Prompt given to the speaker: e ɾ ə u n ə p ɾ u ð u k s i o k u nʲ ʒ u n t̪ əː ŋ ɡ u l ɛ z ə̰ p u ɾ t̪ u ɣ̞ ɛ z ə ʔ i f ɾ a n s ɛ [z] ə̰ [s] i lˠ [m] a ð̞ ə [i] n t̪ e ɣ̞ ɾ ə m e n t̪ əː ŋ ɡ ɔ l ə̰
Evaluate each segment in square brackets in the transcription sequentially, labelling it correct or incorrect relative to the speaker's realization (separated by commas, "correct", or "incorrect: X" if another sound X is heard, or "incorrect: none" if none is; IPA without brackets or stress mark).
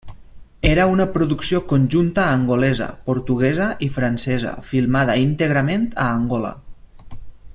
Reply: correct, incorrect: f, correct, correct